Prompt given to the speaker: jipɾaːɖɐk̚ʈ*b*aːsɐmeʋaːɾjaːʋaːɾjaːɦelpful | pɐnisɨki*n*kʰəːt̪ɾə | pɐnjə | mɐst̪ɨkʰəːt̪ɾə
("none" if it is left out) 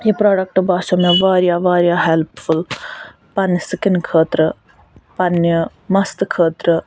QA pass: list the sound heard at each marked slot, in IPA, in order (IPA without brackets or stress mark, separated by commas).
b, n